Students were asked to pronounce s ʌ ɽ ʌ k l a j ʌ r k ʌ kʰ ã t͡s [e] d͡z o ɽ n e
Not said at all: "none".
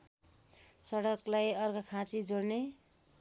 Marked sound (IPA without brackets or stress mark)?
i